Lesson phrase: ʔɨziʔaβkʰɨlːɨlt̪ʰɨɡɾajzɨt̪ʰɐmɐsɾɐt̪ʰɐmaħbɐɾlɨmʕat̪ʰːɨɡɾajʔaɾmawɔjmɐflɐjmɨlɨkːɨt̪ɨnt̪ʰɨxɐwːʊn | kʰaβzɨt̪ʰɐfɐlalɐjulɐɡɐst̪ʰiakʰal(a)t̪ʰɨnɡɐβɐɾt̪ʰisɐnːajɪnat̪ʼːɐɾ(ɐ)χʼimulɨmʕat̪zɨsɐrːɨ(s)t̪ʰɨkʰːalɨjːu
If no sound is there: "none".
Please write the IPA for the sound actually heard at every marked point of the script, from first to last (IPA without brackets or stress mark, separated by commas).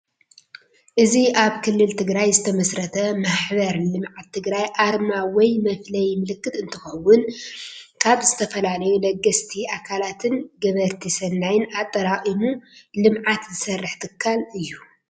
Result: a, a, ħ